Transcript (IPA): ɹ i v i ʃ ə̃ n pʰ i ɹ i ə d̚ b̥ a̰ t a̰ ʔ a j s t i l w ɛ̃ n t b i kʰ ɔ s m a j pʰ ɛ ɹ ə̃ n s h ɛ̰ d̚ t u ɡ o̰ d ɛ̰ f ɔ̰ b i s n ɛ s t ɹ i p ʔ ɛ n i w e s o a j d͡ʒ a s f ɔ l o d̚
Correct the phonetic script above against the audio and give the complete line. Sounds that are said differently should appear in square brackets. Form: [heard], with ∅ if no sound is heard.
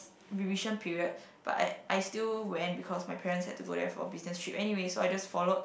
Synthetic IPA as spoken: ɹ i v i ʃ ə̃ n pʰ i ɹ i ə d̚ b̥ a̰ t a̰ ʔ a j s t i l w ɛ̃ n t b i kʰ ɔ s m a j pʰ ɛ ɹ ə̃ n s h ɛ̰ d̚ t u ɡ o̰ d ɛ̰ f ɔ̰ b i s n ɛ s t ɹ i p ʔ ɛ n i w e s o a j d͡ʒ a s f ɔ l o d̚